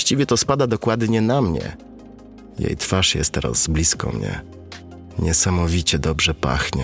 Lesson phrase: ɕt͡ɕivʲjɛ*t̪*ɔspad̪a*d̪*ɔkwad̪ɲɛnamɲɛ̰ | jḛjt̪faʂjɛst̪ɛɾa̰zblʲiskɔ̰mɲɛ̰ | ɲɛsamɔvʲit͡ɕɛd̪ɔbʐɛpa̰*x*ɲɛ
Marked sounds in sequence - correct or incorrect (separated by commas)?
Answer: correct, correct, correct